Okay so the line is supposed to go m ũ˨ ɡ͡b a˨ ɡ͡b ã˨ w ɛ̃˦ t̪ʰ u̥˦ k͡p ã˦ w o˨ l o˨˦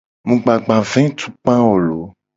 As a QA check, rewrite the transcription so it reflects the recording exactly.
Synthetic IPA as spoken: m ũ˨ ɡ͡b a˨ ɡ͡b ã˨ v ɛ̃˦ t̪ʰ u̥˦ k͡p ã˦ w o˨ l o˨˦